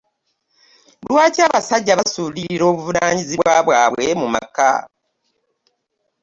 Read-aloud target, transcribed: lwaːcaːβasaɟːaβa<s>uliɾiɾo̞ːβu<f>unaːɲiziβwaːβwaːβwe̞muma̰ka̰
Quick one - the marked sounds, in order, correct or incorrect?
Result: correct, incorrect: v

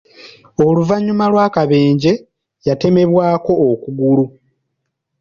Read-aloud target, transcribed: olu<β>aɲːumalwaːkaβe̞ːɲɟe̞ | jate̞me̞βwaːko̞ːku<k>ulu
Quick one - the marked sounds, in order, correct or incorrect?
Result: incorrect: v, incorrect: ɡ

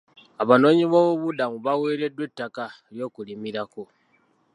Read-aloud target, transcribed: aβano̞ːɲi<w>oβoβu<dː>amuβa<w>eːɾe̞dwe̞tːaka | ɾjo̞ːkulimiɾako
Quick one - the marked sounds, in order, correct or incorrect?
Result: incorrect: β, incorrect: d, correct

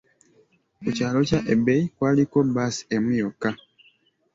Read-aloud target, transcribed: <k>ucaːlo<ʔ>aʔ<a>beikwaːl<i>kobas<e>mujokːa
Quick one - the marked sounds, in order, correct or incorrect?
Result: correct, incorrect: c, incorrect: e, correct, correct

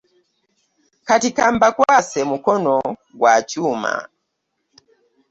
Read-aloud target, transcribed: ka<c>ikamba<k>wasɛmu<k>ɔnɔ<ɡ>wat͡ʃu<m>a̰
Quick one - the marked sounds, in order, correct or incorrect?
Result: incorrect: t, correct, correct, correct, correct

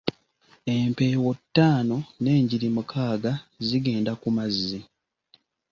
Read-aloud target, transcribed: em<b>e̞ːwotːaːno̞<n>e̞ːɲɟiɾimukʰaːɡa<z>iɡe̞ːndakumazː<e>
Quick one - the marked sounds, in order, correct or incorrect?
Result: incorrect: p, correct, correct, incorrect: i

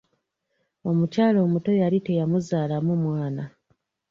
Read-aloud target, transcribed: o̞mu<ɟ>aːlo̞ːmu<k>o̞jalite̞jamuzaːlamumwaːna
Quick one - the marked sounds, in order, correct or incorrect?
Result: incorrect: c, incorrect: t

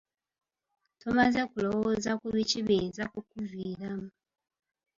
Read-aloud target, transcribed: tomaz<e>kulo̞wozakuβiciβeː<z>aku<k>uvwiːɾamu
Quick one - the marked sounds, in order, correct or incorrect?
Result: correct, correct, correct

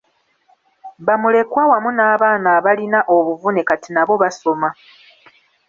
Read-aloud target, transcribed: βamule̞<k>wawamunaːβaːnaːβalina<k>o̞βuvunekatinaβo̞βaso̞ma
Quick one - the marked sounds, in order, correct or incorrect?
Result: correct, incorrect: ʔ

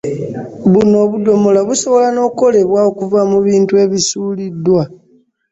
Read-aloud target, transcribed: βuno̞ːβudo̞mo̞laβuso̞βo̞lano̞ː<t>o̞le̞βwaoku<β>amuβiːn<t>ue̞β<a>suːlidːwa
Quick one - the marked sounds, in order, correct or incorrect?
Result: incorrect: k, incorrect: v, correct, incorrect: i

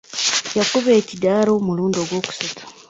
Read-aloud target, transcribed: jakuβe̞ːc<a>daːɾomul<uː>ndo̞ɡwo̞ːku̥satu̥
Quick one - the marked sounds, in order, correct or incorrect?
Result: incorrect: i, correct

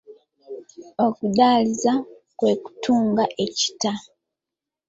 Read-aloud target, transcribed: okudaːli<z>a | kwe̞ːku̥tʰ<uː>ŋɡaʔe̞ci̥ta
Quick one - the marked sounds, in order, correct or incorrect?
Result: correct, correct

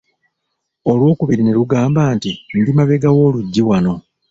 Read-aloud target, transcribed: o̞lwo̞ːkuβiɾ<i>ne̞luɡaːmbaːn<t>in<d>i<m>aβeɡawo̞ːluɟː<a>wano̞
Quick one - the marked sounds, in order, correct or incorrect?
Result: correct, correct, correct, correct, incorrect: i

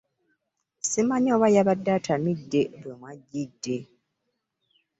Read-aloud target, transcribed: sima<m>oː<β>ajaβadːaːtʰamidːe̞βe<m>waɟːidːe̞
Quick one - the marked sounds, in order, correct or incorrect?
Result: incorrect: ɲ, correct, correct

